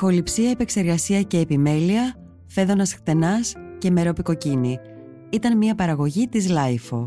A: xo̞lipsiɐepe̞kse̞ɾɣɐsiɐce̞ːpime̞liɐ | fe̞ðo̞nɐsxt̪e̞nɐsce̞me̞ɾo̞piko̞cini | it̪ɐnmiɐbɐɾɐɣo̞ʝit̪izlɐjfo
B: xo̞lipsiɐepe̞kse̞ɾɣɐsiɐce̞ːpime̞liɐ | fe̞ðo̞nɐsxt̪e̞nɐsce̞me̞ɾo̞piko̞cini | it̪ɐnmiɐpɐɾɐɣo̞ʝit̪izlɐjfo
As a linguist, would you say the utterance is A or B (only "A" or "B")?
B